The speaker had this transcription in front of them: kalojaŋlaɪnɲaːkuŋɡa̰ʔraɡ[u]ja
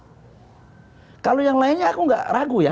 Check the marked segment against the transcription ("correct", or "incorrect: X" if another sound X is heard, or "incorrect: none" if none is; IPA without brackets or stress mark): correct